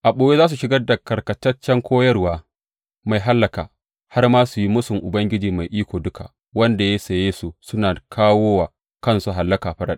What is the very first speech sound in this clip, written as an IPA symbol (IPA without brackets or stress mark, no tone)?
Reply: ʔ